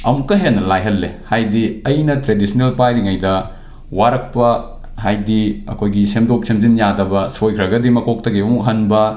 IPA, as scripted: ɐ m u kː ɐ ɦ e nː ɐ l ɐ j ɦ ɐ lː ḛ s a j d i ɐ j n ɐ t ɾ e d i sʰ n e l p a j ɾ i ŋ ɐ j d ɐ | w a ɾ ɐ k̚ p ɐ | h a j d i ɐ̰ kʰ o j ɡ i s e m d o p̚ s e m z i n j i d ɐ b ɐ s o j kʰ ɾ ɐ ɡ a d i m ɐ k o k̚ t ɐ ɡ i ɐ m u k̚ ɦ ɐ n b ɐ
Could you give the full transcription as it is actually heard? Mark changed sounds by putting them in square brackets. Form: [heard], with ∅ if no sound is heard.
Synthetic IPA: ɐ m u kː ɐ ɦ e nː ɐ l [a] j ɦ ɐ lː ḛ [h] a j d i ɐ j n ɐ t ɾ e d i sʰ n e l p a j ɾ i ŋ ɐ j d ɐ | w a ɾ ɐ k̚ p ɐ | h a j d i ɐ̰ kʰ o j ɡ i s e m d o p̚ s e m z i n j [a] d ɐ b ɐ s o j kʰ ɾ ɐ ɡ [ɐ] d i m ɐ k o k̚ t ɐ ɡ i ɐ m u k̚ ɦ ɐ n b ɐ